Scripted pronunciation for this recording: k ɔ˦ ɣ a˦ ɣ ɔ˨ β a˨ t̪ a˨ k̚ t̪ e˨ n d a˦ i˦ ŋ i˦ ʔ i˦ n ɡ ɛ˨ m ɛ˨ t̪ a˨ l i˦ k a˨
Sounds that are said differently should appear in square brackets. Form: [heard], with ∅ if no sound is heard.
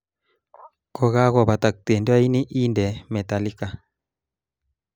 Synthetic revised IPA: k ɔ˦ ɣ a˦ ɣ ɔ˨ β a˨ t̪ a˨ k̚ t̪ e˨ n d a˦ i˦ [n] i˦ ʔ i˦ n [d] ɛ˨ m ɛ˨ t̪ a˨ l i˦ k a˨